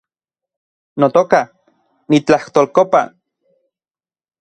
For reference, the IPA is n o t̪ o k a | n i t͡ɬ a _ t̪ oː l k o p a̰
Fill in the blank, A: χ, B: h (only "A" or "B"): B